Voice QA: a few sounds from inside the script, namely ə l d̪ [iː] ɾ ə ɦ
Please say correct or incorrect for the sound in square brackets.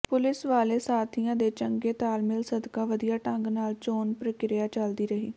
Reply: correct